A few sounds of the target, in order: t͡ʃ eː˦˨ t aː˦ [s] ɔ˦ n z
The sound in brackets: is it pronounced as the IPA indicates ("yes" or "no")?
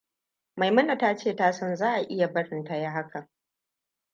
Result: yes